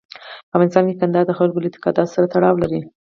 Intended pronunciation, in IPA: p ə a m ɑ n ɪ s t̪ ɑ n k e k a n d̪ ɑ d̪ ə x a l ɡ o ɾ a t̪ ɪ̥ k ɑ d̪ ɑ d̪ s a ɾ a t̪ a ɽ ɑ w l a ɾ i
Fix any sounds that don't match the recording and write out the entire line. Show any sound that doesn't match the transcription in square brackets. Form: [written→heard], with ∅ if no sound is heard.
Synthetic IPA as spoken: p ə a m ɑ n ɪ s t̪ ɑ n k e k a n d̪ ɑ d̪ ə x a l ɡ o [ɾ→l] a t̪ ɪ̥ k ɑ d̪ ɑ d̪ s a ɾ a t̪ a ɽ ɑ w l a ɾ i

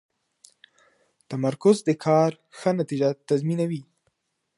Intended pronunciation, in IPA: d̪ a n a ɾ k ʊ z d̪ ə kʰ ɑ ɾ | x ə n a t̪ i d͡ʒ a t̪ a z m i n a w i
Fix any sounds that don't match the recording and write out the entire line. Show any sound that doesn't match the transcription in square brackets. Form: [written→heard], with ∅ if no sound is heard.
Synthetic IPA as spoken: [d̪→t̪] a [n→m] a ɾ k ʊ z d̪ ə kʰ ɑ ɾ | x ə n a t̪ i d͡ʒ a t̪ a z m i n a w i

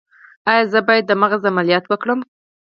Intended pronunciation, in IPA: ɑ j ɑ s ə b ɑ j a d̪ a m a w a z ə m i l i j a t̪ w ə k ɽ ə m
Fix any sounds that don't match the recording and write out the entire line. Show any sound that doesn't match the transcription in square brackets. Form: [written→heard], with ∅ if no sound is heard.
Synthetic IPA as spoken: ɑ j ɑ [s→z] ə b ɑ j a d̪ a m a [w→ɣ] a z [ə→a] m [i→a] l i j [a→ɑ] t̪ w ə k ɽ ə m

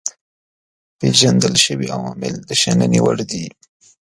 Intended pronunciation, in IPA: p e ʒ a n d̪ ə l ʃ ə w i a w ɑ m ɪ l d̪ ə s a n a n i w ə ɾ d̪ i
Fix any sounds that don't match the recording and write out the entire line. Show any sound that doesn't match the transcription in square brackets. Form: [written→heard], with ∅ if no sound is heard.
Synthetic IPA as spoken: p e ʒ a n d̪ ə l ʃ ə w i a w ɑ m ɪ l d̪ ə [s→ʃ] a n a n i w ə [ɾ→ɽ] d̪ i

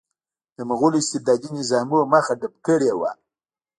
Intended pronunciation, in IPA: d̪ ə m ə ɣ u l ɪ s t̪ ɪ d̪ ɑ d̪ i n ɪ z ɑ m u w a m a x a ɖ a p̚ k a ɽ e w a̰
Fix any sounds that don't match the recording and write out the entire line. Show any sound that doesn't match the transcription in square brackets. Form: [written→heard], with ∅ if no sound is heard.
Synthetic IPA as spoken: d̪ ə m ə ɣ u l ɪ s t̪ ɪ d̪ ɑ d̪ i n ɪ z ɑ m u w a m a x a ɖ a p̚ k [a→ə] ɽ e w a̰

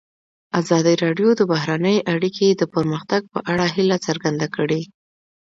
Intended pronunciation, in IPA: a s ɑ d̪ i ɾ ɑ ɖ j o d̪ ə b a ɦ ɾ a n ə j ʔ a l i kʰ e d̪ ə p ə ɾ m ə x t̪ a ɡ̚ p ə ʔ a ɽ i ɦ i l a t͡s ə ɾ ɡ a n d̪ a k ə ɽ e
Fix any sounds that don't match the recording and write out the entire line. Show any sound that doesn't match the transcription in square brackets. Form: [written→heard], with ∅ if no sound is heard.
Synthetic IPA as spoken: a [s→z] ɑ d̪ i ɾ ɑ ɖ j o d̪ ə b a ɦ ɾ a n ə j ʔ a [l→ɽ] i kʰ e d̪ ə p ə ɾ m ə x t̪ a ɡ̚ p ə ʔ a ɽ [i→a] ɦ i l a t͡s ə ɾ ɡ a n d̪ a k ə ɽ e

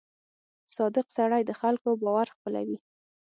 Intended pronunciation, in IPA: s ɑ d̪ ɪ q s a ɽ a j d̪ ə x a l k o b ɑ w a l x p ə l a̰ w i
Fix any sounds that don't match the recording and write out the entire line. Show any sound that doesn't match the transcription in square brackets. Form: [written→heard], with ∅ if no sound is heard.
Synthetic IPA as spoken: s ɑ d̪ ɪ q s a ɽ a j d̪ ə x a l k o b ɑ w a [l→ɾ] x p ə l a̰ w i

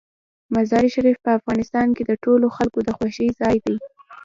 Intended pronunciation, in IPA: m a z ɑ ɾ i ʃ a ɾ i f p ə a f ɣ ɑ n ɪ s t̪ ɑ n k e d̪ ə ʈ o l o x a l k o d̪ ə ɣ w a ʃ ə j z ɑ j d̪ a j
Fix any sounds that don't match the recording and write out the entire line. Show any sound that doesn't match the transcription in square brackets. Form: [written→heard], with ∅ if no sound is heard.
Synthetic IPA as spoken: m a z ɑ ɾ i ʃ a ɾ i f p ə a f ɣ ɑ n ɪ s t̪ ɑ n k e d̪ ə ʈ o l o x a l k o d̪ ə [ɣ→x] w a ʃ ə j z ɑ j d̪ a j

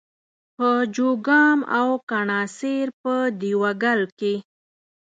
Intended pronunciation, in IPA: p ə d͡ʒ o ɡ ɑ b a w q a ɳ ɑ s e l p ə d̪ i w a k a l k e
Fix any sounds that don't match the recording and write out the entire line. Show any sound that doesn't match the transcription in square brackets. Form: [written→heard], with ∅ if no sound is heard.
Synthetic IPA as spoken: p ə d͡ʒ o ɡ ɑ [b→m] a w [q→k] a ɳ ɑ s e [l→ɾ] p ə d̪ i w a [k→ɡ] a l k e

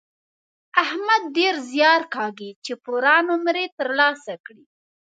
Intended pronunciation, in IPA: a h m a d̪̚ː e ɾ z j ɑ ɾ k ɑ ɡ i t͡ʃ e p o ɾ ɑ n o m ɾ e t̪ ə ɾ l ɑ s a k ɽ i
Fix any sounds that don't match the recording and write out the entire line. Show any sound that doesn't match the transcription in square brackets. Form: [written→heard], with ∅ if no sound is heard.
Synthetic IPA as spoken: a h m a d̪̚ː e ɾ z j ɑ ɾ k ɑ ɡ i t͡ʃ e p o ɾ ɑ n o m ɾ e t̪ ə ɾ l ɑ s a k ɽ i

